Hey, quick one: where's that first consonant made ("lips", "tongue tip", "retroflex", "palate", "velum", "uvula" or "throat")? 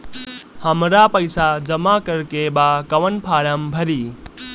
throat